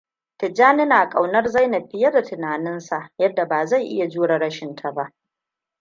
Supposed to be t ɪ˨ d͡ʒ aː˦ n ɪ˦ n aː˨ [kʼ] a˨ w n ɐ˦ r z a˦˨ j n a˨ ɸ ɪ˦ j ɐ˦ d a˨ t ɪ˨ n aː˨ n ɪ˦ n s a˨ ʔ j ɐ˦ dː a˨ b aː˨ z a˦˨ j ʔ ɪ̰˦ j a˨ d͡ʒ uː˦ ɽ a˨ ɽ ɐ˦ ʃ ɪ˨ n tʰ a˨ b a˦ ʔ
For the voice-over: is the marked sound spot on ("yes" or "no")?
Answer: yes